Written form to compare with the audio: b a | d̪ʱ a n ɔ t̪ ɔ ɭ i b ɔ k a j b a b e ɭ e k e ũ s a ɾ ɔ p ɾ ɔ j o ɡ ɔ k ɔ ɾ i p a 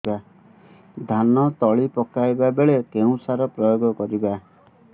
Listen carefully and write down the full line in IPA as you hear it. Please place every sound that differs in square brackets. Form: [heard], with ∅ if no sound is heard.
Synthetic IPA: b a | d̪ʱ a n ɔ t̪ ɔ ɭ i [p] ɔ k a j b a b e ɭ e k e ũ s a ɾ ɔ p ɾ ɔ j o ɡ ɔ k ɔ ɾ i [b] a

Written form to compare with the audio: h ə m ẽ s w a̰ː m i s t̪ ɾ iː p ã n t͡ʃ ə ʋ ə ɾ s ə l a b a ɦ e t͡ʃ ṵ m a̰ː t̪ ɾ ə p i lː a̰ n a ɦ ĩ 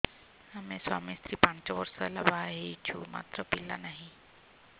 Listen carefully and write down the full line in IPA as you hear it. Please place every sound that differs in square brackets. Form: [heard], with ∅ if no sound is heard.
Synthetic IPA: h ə m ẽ s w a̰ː m i s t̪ ɾ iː p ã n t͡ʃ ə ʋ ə ɾ s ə l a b a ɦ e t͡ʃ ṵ m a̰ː t̪ ɾ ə p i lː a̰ n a ɦ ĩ

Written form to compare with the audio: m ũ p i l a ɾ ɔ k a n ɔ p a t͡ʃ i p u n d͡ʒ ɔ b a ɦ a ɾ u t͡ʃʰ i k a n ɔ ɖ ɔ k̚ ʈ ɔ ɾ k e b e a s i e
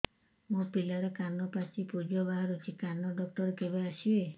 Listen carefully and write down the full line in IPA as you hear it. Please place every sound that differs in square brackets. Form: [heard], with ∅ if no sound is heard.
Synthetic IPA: m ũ p i l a ɾ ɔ k a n ɔ p a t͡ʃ i p u [∅] d͡ʒ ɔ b a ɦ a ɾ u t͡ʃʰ i k a n ɔ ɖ ɔ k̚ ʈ ɔ ɾ k e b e a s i e

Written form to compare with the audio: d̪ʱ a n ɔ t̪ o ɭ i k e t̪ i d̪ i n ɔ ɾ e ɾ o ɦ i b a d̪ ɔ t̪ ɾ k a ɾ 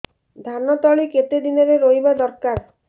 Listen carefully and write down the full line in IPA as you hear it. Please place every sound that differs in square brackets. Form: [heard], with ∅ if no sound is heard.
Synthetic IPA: d̪ʱ a n ɔ t̪ [ɔ] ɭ i k e t̪ [e] d̪ i n ɔ ɾ e ɾ o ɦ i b a d̪ ɔ [∅] ɾ k a ɾ

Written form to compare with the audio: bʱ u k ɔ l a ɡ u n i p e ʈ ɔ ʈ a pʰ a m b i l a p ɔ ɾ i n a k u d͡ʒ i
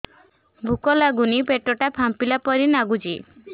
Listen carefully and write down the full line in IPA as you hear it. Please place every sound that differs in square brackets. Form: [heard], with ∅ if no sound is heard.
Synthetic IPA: bʱ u k ɔ l a ɡ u n i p e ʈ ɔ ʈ a pʰ a m [p] i l a p ɔ ɾ i n a [ɡ] u d͡ʒ i

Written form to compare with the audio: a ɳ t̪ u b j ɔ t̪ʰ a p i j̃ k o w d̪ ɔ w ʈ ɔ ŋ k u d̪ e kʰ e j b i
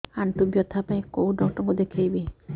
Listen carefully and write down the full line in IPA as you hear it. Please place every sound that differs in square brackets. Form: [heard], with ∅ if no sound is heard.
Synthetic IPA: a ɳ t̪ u b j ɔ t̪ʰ a p [a] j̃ k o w d̪ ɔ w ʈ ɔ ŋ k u d̪ e kʰ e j b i

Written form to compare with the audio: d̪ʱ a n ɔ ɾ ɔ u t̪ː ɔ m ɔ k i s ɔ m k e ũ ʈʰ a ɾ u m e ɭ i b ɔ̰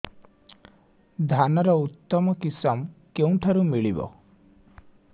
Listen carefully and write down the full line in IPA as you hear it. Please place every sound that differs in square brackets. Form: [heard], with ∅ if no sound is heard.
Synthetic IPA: d̪ʱ a n ɔ ɾ ɔ u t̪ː ɔ m ɔ k i s ɔ m k e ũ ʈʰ a ɾ u m [i] ɭ i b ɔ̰

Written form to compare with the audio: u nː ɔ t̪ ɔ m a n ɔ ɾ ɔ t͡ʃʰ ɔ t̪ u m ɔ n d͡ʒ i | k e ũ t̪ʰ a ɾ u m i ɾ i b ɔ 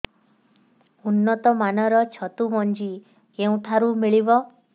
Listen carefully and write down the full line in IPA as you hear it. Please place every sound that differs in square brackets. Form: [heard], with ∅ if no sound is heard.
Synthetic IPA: u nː ɔ t̪ ɔ m a n ɔ ɾ ɔ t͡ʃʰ ɔ t̪ u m ɔ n d͡ʒ i | k e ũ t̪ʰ a ɾ u m i [ɭ] i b ɔ

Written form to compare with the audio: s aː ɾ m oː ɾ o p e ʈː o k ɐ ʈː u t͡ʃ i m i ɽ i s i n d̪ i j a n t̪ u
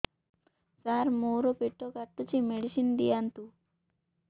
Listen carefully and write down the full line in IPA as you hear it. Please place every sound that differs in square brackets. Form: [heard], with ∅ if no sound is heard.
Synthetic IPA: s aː ɾ m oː ɾ o p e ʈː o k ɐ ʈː u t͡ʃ i m [e] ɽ i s i n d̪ i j a n t̪ u

